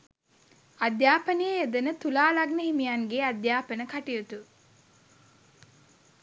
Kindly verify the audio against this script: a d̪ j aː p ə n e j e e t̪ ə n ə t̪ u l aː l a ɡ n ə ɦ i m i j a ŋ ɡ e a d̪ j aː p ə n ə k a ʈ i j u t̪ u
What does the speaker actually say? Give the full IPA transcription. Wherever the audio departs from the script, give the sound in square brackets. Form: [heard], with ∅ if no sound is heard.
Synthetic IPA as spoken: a d̪ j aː p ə n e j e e [d̪] ə n ə t̪ u l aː l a ɡ n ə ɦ i m i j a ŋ ɡ e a d̪ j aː p ə n ə k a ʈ i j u t̪ u